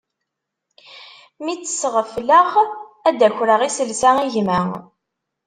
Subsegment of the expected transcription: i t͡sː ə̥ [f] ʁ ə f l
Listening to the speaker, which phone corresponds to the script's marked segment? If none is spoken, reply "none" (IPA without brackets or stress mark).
s